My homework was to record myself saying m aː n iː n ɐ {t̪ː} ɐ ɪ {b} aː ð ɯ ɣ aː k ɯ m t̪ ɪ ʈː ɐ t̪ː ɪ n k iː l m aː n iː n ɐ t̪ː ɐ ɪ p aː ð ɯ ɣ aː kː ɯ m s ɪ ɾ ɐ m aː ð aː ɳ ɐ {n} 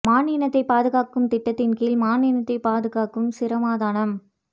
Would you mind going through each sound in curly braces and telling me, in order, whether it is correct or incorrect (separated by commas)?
correct, incorrect, incorrect